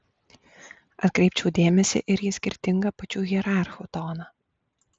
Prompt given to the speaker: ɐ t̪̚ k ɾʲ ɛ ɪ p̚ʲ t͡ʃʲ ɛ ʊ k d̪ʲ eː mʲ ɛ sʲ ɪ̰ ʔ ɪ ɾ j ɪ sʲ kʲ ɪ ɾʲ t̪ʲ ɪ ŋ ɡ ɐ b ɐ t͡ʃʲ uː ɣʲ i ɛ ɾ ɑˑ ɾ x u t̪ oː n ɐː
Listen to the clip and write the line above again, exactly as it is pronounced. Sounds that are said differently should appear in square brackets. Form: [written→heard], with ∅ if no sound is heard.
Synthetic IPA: ɐ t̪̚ k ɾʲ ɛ ɪ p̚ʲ t͡ʃʲ ɛ ʊ [k→∅] d̪ʲ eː mʲ ɛ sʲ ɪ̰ ʔ ɪ ɾ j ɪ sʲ kʲ ɪ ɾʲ t̪ʲ ɪ ŋ ɡ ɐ [b→p] ɐ t͡ʃʲ uː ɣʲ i ɛ ɾ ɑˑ ɾ x u t̪ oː n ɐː